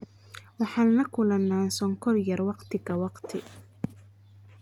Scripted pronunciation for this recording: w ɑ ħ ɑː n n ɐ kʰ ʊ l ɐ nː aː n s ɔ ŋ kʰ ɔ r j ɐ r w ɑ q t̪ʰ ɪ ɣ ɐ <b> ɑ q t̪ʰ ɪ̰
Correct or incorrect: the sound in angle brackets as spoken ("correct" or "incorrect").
incorrect